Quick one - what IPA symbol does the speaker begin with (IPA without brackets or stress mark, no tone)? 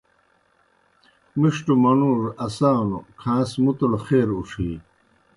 m